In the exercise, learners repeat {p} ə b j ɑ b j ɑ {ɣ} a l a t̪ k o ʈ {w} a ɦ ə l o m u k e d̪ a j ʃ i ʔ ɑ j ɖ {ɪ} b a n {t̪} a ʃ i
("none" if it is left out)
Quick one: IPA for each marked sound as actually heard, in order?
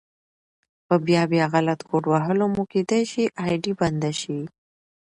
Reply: p, ɣ, w, i, d̪

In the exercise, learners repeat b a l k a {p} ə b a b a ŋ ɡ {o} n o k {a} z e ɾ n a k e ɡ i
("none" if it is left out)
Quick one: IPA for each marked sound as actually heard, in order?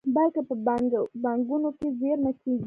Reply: p, u, e

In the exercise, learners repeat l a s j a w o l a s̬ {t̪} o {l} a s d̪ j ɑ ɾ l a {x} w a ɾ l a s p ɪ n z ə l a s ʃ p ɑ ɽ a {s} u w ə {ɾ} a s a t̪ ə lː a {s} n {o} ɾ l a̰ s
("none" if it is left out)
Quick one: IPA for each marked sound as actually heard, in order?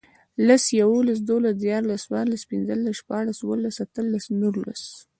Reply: d̪, l, s, s, l, s, u

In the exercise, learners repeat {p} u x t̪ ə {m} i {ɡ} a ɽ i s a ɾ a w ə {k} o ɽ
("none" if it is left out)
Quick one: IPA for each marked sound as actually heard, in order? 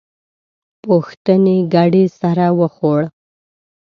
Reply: p, n, ɡ, x

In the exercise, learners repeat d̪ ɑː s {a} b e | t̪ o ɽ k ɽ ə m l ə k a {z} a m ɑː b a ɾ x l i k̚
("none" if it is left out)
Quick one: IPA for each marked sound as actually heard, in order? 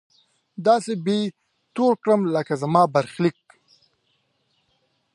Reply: e, z

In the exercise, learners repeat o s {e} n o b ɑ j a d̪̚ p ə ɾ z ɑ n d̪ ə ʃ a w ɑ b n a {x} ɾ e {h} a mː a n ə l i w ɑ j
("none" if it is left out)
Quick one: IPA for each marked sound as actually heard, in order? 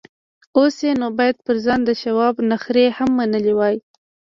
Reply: e, x, h

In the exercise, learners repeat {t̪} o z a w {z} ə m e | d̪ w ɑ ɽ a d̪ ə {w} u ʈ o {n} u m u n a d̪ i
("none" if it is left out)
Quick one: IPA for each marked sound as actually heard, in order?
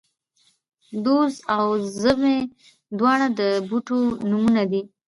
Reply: d̪, z, b, n

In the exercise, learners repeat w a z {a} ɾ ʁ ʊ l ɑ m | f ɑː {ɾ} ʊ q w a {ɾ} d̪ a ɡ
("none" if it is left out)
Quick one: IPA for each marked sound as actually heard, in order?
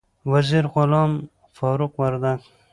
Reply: i, ɾ, ɾ

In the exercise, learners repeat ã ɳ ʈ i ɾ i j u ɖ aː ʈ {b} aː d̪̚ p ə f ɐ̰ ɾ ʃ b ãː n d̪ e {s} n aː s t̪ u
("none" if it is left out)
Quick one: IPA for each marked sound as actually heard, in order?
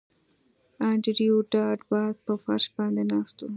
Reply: b, none

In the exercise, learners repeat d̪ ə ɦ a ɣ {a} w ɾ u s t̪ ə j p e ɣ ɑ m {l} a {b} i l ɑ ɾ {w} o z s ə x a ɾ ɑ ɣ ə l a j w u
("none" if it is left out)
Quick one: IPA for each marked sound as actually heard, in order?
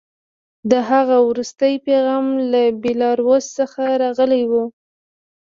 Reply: a, l, b, w

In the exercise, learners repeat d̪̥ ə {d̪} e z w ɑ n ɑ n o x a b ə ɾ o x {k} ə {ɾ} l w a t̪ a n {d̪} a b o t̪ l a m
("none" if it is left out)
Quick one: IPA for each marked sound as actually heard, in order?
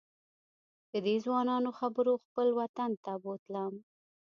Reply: d̪, p, none, t̪

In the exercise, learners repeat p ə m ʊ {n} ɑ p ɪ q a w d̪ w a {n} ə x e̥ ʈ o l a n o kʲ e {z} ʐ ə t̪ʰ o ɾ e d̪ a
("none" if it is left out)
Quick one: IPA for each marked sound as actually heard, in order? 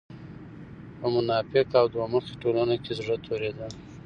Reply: n, m, z

